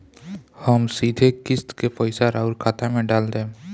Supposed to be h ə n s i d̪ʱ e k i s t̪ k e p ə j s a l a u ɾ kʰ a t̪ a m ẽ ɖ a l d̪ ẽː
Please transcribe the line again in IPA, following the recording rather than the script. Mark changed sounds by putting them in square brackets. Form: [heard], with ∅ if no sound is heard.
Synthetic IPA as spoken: h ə [m] s i d̪ʱ e k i s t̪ k e p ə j s a [ɾ] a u ɾ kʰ a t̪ a m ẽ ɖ a l d̪ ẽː